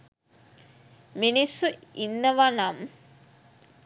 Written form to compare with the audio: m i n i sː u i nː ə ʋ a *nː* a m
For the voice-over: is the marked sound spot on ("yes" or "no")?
no